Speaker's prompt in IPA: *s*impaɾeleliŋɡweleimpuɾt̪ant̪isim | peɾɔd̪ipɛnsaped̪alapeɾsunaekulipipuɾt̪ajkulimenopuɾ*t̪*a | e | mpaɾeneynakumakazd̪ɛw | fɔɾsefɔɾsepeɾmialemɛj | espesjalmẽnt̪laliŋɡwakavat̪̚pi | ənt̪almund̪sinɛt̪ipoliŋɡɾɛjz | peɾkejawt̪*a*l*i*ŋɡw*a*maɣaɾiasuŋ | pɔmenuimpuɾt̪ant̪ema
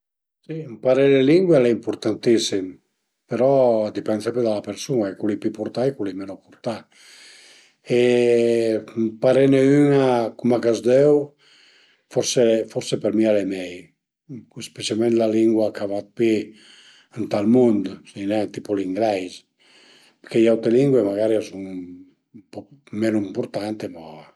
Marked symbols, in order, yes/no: yes, yes, no, yes, no

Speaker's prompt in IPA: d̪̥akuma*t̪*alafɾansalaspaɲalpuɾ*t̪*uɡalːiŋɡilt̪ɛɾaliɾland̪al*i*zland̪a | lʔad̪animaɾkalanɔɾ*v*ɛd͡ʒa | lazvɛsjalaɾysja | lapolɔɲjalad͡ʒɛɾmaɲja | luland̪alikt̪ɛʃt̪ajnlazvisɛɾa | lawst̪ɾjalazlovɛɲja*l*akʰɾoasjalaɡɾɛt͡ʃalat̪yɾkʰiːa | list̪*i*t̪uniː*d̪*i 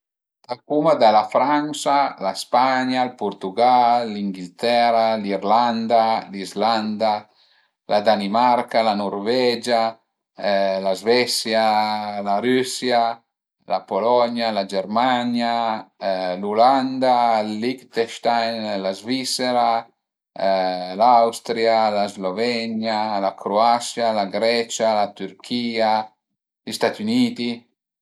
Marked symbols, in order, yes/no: no, yes, yes, yes, yes, no, no

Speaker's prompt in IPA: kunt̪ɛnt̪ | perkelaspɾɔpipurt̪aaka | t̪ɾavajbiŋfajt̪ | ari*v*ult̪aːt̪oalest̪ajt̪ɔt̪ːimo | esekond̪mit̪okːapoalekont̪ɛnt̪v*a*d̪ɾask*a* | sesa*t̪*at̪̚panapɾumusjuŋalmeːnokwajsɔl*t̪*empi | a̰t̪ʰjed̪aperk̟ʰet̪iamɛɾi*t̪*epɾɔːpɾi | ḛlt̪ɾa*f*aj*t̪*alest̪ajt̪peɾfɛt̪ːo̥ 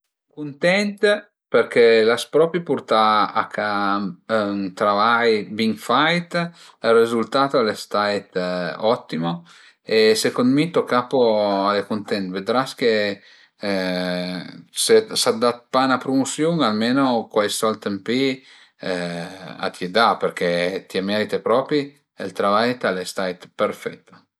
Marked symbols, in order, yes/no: no, no, no, no, yes, yes, no, yes

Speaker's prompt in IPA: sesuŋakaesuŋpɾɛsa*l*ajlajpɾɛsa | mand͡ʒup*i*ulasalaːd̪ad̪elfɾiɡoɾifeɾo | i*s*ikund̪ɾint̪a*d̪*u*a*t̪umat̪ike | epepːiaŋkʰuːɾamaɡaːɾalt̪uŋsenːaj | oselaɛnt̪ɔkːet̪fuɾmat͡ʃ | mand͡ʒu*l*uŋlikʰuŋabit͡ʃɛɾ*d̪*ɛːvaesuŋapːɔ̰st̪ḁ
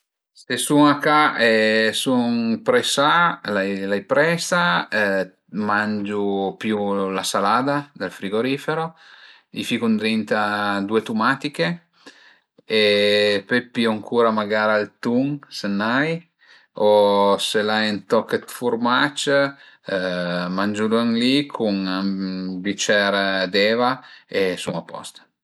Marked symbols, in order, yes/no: yes, no, no, yes, no, yes, yes

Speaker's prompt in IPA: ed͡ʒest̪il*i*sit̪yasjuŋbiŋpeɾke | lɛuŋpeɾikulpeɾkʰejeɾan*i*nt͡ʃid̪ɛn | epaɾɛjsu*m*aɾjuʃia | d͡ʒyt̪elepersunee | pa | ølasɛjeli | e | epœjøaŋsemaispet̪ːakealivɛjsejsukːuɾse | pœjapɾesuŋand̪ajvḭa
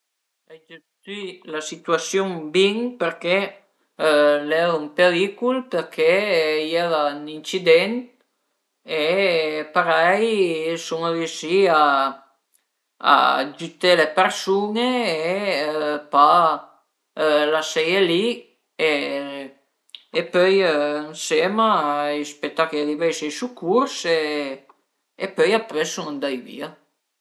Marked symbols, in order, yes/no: no, yes, no

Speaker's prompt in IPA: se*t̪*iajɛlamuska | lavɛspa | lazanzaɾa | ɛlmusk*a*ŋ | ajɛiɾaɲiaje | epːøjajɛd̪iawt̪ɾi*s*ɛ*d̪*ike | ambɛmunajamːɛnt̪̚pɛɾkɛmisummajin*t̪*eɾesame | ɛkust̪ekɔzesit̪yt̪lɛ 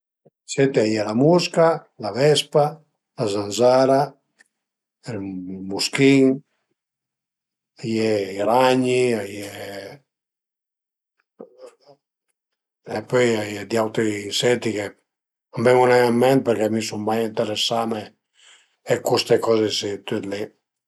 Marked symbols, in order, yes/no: yes, no, yes, no, yes

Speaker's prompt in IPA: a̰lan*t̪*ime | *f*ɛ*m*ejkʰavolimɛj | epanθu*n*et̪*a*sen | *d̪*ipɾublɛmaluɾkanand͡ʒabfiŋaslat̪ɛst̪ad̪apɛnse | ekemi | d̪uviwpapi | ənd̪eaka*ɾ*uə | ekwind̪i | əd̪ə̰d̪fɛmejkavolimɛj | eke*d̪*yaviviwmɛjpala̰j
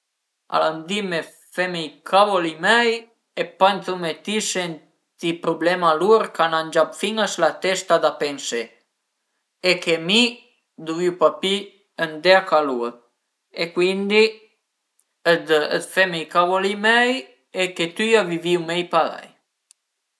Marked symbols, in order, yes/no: no, yes, yes, no, no, no, no, no

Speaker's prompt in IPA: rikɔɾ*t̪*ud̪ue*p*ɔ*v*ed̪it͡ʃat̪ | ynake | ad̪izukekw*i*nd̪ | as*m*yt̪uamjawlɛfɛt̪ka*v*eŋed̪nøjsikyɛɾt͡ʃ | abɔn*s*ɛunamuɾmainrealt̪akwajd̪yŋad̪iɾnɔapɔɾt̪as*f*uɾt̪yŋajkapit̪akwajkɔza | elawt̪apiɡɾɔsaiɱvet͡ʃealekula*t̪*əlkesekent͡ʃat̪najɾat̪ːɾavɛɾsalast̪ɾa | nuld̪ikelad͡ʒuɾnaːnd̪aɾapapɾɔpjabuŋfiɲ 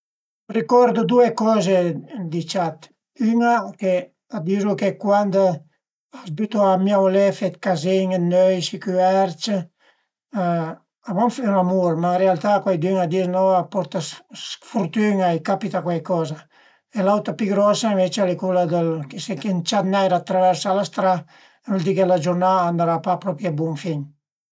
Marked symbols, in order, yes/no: no, no, no, no, no, no, no, yes, no

